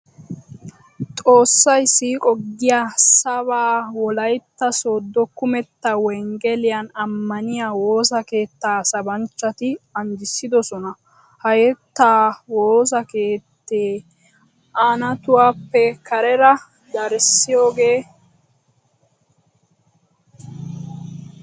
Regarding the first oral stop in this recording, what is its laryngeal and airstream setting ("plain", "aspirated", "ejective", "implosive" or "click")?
ejective